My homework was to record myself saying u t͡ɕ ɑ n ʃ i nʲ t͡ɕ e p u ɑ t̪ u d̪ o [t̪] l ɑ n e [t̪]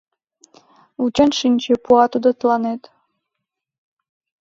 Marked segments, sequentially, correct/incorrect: correct, correct

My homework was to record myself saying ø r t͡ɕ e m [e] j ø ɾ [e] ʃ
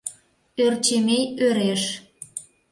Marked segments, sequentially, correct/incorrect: correct, correct

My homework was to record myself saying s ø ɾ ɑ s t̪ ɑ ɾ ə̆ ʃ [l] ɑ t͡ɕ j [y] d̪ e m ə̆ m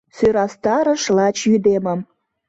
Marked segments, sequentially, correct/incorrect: correct, correct

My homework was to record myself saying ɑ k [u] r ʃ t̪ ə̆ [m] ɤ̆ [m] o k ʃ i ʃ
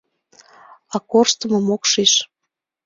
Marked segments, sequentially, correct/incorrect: incorrect, correct, correct

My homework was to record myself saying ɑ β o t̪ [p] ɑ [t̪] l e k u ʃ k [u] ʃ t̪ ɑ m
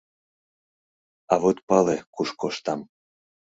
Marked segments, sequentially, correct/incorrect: correct, incorrect, incorrect

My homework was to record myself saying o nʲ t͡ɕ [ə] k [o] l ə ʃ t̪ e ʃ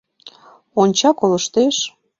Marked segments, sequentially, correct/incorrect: incorrect, correct

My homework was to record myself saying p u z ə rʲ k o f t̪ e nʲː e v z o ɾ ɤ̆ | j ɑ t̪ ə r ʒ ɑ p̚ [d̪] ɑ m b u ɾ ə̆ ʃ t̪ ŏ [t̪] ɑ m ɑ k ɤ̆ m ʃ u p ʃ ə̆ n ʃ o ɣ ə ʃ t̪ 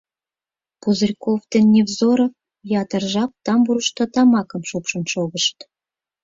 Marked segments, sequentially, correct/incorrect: incorrect, correct

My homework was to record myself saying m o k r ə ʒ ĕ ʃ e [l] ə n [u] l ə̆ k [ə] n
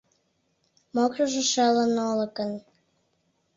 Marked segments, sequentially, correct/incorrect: correct, incorrect, correct

